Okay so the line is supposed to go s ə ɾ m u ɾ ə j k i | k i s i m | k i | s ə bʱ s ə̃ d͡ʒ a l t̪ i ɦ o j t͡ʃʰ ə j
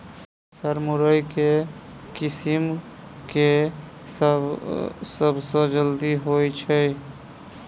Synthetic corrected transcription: s ə ɾ m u ɾ ə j k e | k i s i m | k e | s ə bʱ s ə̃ d͡ʒ ə l d̪ i ɦ o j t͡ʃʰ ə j